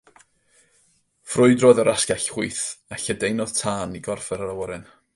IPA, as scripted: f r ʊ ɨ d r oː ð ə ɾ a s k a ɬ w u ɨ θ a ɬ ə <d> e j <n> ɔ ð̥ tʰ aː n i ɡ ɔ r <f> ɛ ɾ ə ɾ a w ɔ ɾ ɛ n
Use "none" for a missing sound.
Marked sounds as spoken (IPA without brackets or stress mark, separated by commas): d, n, f